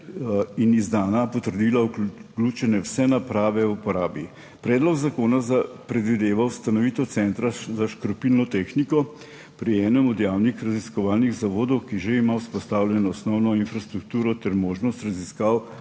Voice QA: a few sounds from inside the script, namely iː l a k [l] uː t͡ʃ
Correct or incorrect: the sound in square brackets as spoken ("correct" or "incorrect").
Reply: correct